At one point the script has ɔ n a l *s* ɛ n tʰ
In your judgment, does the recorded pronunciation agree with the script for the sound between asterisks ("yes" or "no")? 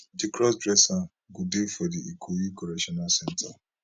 yes